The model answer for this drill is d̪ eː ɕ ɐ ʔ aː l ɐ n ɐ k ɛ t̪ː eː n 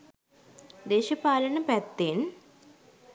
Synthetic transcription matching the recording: d̪ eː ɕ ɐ p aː l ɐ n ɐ p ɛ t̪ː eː n

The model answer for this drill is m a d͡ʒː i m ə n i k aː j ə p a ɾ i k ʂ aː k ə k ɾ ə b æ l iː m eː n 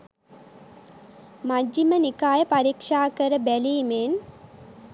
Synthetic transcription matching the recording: m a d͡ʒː i m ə n i k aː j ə p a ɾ i k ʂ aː k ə ɾ ə b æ l iː m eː n

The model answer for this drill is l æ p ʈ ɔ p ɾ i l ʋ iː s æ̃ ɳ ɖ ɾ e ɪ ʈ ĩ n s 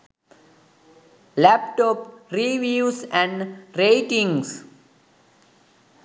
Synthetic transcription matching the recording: l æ p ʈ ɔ p ɾ i ʋ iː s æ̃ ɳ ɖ ɾ e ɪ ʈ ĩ ŋ s

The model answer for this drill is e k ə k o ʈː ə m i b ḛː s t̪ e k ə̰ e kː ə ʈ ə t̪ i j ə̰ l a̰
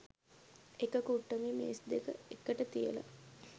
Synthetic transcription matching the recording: e k ə k u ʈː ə m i m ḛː s d̪ e k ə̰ e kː ə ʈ ə t̪ i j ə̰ l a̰

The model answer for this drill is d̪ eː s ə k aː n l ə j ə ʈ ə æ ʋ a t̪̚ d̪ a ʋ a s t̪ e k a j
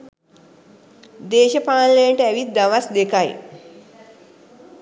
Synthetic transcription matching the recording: d̪ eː ʃ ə p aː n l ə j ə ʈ ə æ ʋ i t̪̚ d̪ a ʋ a s d̪ e k a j

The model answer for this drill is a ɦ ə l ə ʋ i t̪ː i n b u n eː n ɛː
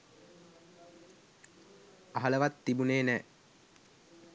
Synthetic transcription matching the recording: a ɦ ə l ə ʋ a t̪ː i b u n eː n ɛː

